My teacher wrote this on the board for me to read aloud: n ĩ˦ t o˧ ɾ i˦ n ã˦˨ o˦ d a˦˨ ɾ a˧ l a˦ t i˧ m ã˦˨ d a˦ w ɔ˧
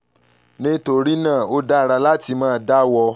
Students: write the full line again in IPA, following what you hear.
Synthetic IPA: n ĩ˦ t o˧ ɾ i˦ n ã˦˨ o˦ d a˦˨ ɾ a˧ l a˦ t i˧ m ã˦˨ d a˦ w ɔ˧